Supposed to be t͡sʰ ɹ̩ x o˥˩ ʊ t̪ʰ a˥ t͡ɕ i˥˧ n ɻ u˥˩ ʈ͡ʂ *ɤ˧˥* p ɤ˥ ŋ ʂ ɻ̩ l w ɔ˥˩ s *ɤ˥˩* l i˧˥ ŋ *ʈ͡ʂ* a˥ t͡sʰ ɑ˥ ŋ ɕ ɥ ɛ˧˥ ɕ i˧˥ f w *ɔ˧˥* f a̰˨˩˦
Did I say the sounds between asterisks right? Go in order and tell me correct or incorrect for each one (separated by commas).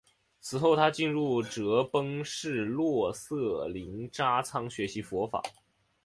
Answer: correct, correct, correct, correct